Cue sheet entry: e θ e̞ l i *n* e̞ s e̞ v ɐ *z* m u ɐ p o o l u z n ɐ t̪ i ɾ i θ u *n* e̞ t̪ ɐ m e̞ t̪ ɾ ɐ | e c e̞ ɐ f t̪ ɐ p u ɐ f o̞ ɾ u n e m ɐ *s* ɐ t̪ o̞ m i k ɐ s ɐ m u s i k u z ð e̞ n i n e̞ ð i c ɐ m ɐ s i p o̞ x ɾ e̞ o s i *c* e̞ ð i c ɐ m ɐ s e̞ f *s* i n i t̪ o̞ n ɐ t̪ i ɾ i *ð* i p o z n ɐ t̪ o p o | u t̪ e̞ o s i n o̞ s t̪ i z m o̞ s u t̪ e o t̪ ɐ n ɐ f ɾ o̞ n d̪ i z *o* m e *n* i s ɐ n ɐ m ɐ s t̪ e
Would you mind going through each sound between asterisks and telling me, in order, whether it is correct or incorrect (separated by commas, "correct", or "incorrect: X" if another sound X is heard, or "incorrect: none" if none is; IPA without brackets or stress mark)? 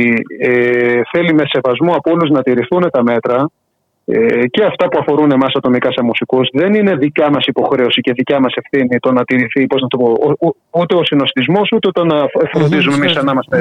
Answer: incorrect: m, correct, correct, correct, correct, incorrect: θ, incorrect: θ, incorrect: u, incorrect: m